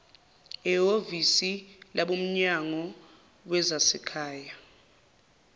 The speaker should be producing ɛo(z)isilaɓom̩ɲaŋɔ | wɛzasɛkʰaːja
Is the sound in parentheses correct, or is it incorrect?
incorrect